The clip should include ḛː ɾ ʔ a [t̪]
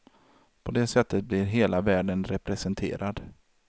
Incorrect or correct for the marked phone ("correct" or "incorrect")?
incorrect